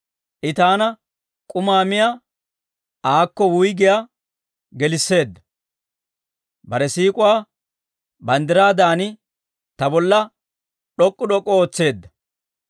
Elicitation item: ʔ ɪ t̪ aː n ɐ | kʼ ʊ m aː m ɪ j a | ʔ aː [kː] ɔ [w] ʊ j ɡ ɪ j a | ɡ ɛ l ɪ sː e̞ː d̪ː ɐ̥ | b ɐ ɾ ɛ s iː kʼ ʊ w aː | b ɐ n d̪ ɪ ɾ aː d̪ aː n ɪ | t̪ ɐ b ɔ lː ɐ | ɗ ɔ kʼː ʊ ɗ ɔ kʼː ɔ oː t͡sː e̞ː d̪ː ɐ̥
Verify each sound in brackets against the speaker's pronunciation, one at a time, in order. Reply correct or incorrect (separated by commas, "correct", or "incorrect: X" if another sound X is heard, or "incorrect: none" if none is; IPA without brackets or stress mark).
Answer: correct, correct